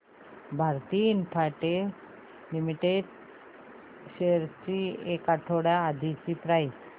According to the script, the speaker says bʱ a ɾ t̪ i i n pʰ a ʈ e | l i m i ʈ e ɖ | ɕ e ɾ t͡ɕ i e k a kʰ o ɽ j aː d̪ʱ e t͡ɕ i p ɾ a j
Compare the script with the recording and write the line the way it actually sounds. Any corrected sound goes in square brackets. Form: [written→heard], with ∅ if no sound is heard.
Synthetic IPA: bʱ a ɾ t̪ i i n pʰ a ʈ e | l i m i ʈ e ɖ | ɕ e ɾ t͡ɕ i e k a [kʰ→ʈʰ] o ɽ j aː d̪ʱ [e→i] t͡ɕ i p ɾ a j